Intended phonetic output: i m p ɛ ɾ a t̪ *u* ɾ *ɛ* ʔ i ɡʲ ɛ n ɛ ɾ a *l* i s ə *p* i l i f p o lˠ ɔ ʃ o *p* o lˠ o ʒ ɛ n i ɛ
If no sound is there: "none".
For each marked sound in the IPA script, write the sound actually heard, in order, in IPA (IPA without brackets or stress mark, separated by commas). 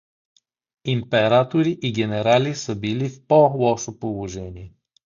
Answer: o, i, l, b, p